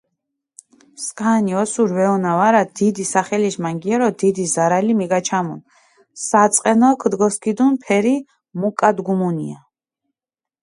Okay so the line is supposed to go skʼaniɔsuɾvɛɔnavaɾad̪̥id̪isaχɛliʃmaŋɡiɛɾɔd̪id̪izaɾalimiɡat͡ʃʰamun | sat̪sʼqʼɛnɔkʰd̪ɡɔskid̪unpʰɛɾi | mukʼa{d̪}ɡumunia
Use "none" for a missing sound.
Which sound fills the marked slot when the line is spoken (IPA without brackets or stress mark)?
d̪